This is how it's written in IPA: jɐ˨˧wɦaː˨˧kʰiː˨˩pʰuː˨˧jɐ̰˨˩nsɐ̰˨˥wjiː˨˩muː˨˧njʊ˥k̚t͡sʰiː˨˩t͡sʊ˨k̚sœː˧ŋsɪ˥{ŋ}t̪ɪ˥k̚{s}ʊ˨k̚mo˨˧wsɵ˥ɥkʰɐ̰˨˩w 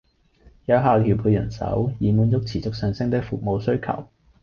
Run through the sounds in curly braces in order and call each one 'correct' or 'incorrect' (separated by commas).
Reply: correct, incorrect